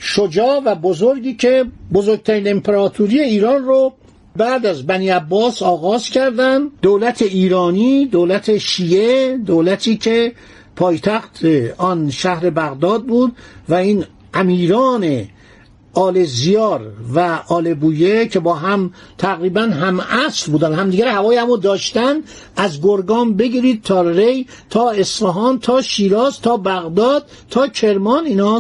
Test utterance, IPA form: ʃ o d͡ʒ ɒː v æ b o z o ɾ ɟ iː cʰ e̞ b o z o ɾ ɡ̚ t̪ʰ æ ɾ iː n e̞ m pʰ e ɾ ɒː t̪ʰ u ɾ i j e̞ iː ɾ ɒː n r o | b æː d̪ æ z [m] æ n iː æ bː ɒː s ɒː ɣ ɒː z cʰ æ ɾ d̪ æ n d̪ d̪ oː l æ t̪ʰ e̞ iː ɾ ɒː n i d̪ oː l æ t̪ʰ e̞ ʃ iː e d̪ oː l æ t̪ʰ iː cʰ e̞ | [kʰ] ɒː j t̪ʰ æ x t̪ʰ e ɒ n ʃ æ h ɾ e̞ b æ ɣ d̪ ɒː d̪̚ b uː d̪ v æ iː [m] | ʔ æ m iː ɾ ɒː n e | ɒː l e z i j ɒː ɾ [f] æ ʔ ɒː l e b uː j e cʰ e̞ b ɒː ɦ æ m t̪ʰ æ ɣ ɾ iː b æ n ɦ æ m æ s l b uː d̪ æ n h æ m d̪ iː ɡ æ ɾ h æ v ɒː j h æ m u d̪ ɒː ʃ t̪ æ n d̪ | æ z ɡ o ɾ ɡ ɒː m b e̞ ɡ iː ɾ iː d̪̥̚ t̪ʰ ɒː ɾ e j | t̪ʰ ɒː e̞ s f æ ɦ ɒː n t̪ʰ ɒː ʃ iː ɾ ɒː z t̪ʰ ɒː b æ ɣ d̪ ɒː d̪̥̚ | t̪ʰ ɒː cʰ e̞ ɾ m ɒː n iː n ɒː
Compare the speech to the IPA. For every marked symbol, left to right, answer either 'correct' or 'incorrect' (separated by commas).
incorrect, incorrect, incorrect, incorrect